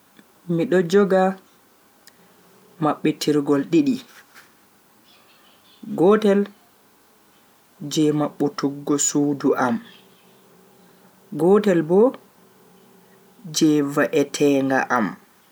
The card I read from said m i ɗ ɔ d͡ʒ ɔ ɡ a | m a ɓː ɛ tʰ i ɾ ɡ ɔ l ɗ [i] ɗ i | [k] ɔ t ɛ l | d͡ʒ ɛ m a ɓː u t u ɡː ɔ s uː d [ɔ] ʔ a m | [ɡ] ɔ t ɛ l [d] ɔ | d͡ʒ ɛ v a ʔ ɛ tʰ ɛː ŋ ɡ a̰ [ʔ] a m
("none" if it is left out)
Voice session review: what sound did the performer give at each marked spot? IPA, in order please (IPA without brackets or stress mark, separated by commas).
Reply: i, ɡ, u, ɡ, b, ʔ